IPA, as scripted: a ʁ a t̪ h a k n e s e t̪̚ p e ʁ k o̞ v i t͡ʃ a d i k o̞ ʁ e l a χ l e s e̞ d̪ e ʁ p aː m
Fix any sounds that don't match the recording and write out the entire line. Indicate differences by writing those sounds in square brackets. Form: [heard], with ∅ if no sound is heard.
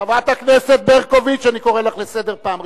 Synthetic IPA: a [v] a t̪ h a k n e s e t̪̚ [b] e ʁ k o̞ v i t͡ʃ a [n] i k o̞ ʁ e l a χ l e s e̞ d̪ e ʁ p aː m